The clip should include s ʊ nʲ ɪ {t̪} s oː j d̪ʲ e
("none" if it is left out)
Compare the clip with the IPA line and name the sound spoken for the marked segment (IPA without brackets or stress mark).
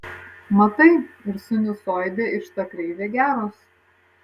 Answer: none